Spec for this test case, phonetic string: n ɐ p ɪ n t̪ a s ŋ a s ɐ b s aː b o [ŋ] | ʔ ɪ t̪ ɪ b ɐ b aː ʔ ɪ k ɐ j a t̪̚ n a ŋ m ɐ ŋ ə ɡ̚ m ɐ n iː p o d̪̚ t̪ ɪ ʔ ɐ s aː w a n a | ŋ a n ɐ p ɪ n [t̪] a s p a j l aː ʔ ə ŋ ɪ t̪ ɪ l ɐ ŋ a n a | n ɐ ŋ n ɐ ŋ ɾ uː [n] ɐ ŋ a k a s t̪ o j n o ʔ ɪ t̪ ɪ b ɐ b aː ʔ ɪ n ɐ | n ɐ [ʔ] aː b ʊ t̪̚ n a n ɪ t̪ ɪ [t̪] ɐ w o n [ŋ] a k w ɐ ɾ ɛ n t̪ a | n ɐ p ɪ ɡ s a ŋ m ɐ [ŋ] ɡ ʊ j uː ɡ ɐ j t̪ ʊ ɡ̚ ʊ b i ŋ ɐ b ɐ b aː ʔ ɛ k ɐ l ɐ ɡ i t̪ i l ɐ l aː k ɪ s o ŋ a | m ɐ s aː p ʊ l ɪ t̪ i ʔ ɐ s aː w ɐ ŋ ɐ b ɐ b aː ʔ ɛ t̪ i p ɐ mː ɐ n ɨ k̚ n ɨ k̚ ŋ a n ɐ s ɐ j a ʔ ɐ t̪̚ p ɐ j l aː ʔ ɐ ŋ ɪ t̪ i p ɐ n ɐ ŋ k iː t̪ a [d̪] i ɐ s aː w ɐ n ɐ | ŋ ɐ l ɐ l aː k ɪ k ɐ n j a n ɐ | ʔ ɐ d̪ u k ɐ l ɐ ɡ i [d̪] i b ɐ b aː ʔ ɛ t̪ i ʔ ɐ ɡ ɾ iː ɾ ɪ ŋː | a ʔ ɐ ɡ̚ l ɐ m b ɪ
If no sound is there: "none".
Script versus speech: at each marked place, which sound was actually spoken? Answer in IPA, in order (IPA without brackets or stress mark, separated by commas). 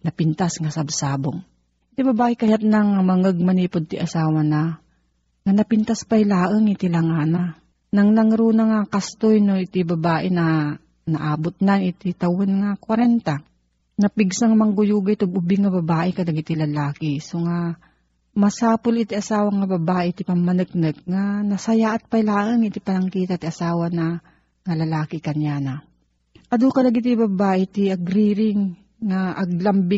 ŋ, t̪, n, ʔ, t̪, ŋ, ŋ, t̪, t̪